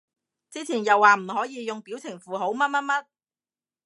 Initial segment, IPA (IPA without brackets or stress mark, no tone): t͡s